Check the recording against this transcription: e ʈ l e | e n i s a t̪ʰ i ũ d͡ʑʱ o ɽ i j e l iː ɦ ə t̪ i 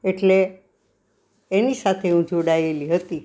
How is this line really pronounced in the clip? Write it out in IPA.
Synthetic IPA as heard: e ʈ l e | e n i s a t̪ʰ e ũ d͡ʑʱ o ɽ a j e l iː ɦ ə t̪ i